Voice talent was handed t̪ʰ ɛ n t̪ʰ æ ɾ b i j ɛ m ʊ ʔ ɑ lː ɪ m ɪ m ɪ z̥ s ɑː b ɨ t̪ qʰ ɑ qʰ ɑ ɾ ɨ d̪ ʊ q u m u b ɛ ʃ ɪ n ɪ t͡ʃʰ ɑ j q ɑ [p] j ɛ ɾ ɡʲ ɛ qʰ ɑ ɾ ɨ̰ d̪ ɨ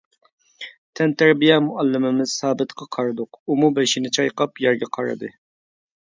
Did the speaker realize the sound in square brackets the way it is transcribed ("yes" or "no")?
yes